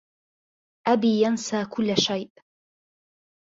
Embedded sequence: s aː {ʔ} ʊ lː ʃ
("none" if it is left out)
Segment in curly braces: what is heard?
k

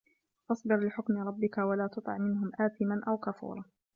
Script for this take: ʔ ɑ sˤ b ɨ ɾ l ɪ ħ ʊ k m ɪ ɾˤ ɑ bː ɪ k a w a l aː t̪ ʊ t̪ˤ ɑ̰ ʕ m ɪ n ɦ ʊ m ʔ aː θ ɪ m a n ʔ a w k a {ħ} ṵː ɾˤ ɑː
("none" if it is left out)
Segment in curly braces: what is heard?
f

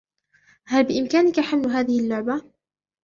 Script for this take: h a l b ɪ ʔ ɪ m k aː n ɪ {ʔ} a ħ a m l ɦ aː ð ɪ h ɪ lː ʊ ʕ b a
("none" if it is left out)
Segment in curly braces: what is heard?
k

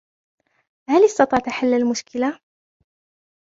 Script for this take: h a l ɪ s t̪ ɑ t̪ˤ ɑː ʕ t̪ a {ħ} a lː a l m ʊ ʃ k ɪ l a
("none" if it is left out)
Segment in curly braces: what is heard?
ħ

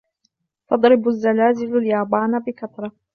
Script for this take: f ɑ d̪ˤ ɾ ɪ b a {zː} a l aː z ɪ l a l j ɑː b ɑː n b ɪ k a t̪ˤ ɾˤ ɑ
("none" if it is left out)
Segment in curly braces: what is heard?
zː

